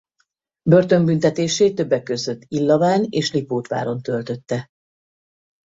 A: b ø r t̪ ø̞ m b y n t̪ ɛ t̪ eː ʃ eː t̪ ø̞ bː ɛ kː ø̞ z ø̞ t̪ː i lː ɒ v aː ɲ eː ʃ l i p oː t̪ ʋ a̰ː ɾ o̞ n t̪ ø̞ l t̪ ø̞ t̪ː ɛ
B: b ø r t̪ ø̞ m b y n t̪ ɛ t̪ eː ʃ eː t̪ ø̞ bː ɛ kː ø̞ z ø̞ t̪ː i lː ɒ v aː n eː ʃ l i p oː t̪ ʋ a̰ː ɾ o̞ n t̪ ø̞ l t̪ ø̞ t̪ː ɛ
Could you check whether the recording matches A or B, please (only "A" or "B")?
B